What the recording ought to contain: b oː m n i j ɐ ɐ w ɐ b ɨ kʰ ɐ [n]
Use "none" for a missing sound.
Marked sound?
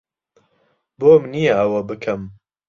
m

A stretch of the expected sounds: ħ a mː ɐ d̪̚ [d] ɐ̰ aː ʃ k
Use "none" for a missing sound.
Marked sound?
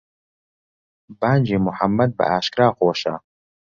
b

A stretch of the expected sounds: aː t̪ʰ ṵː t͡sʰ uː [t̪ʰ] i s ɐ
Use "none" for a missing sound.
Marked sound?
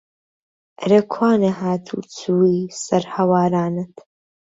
none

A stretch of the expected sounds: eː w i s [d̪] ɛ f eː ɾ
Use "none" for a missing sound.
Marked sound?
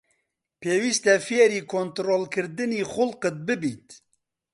t̪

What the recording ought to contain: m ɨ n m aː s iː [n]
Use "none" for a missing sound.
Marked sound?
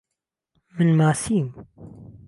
m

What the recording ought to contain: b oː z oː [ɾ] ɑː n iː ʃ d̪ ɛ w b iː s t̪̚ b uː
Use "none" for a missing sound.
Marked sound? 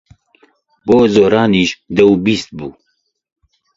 ɾ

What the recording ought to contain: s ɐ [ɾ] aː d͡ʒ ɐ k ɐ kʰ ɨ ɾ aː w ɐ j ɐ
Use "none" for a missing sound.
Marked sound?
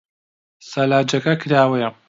l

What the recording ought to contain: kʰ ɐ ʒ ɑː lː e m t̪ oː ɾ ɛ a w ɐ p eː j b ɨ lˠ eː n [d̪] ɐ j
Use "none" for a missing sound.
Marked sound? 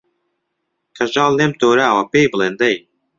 d̪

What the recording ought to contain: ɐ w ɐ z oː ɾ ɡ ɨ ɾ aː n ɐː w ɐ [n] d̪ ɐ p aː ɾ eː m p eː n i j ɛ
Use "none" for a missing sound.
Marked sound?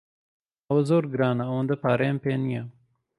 n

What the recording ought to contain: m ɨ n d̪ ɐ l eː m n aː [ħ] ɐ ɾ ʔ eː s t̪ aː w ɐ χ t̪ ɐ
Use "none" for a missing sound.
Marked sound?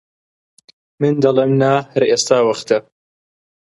h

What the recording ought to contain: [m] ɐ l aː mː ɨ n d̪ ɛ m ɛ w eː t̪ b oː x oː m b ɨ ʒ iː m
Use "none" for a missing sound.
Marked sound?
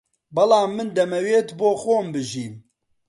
b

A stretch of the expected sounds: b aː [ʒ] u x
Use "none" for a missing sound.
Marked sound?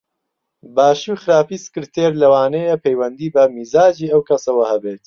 ʃ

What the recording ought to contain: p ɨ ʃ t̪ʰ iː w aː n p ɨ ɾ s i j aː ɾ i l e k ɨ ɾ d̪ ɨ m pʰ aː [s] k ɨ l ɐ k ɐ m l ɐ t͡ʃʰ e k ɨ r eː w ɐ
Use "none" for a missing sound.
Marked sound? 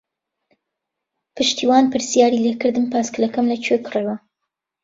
s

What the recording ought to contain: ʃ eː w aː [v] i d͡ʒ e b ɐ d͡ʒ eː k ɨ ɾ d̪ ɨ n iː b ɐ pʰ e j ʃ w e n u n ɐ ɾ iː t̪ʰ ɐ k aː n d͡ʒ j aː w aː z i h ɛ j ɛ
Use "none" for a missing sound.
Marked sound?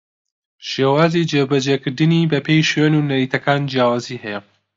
z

